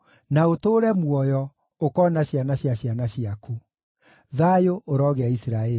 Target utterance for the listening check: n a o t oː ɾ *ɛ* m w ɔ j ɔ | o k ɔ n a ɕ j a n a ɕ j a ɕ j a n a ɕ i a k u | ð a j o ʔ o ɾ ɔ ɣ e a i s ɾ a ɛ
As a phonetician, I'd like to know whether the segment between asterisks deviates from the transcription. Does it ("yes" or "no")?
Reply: no